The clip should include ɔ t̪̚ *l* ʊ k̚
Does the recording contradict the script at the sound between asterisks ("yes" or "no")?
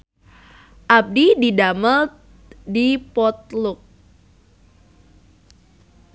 no